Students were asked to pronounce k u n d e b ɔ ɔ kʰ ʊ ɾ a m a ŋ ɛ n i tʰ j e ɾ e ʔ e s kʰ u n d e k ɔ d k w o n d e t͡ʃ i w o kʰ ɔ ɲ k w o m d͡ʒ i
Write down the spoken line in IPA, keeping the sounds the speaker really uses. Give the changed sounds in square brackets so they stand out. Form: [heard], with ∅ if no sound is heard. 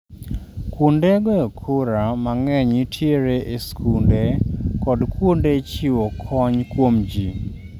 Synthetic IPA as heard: k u n d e [ɡ] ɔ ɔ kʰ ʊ ɾ a m a ŋ ɛ [ɲ] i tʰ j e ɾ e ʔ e s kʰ u n d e k ɔ d k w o n d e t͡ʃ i w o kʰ ɔ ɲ k w o m d͡ʒ i